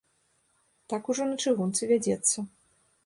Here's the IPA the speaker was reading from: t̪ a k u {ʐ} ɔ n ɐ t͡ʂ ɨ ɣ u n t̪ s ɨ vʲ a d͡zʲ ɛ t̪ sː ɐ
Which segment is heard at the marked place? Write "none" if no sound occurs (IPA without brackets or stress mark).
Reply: ʐ